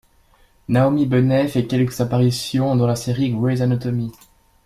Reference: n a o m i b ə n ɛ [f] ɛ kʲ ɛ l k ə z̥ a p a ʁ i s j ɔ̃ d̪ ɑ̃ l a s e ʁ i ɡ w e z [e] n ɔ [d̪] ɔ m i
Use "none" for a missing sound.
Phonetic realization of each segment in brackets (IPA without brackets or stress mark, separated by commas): f, a, t̪